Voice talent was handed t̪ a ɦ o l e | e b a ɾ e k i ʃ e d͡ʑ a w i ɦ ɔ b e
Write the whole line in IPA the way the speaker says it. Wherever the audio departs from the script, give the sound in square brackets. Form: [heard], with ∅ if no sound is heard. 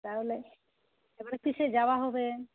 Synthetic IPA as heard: t̪ a ɦ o l e | e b a ɾ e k i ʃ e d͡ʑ a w [a] ɦ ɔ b e